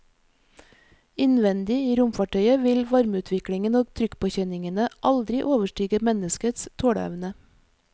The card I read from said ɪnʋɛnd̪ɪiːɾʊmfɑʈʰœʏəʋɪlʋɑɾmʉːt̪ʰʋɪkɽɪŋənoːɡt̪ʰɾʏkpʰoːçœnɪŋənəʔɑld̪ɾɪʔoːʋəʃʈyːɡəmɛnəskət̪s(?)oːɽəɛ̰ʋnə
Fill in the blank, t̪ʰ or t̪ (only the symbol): t̪ʰ